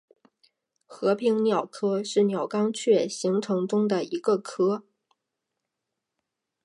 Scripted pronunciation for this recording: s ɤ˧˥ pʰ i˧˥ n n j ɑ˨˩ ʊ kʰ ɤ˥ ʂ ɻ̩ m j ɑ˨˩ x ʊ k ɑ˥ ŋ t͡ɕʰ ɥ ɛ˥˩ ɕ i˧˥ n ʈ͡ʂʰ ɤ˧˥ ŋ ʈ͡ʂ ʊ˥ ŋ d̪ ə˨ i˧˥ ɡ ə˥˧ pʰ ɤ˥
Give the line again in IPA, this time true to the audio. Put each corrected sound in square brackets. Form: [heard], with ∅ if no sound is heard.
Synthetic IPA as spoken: [x] ɤ˧˥ pʰ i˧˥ [ŋ] n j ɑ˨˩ ʊ kʰ ɤ˥ ʂ ɻ̩ [n] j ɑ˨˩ [∅] ʊ k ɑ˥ ŋ t͡ɕʰ ɥ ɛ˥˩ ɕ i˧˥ [ŋ] ʈ͡ʂʰ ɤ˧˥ ŋ ʈ͡ʂ ʊ˥ ŋ d̪ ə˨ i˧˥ ɡ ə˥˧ [kʰ] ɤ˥